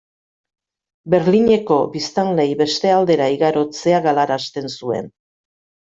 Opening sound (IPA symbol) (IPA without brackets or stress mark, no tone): b